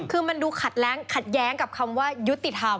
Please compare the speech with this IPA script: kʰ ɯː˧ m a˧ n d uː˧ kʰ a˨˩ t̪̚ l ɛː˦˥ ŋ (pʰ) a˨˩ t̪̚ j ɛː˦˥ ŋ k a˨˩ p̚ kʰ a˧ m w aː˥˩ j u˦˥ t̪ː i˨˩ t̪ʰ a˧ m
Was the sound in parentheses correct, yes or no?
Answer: no